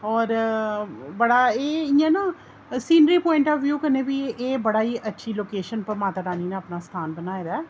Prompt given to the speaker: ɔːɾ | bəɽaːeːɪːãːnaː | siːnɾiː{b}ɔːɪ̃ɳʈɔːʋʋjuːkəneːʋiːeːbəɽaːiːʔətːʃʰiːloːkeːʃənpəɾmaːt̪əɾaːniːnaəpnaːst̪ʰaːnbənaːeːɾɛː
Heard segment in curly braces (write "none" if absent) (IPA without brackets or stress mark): p